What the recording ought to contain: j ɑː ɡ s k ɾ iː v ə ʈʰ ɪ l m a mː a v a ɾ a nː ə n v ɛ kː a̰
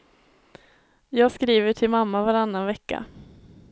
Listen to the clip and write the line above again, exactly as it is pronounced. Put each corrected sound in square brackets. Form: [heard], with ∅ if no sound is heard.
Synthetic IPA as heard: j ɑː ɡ s k ɾ iː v ə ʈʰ ɪ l m a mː a v a ɾ a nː [a] n v ɛ kː a̰